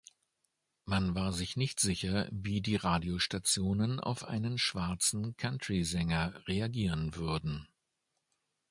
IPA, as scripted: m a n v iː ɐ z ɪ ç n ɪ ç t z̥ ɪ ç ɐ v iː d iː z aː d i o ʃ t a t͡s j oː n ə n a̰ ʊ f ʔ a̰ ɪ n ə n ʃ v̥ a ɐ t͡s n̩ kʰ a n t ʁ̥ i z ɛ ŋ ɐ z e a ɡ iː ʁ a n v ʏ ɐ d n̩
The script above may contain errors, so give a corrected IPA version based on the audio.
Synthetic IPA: m a n v aː ɐ z ɪ ç n ɪ ç t z̥ ɪ ç ɐ v iː d iː ʁ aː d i o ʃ t a t͡s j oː n ə n a̰ ʊ f ʔ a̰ ɪ n ə n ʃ v̥ a ɐ t͡s n̩ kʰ a n t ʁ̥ i z ɛ ŋ ɐ ʁ e a ɡ iː ʁ ə n v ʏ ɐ d n̩